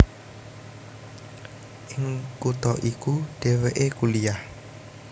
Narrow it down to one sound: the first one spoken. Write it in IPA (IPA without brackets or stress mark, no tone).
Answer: ʔ